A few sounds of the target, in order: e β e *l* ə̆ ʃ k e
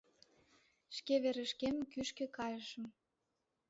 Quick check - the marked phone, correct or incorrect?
incorrect: ɾ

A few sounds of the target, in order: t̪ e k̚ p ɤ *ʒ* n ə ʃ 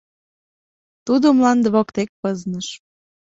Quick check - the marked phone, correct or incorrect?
incorrect: z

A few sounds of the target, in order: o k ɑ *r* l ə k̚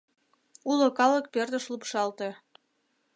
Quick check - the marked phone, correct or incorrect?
incorrect: none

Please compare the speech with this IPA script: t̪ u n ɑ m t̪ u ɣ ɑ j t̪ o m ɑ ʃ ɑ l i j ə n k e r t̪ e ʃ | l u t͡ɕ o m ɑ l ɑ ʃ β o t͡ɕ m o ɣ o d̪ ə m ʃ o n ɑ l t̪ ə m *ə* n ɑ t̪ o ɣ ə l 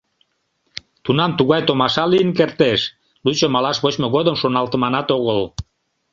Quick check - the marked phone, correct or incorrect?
incorrect: ɑ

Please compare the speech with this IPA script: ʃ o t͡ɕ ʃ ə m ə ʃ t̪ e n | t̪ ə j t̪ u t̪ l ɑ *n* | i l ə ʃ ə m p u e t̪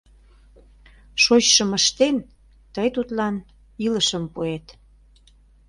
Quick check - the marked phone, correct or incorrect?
correct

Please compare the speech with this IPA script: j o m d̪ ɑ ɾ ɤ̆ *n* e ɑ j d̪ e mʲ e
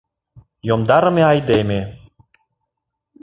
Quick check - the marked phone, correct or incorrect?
incorrect: m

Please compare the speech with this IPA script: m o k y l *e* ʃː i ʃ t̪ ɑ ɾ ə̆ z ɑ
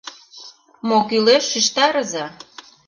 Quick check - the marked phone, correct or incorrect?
correct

